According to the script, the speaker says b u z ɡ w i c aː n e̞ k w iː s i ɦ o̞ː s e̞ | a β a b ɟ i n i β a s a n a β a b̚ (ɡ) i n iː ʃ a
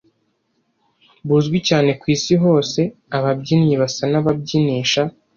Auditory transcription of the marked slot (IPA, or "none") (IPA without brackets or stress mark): ɟ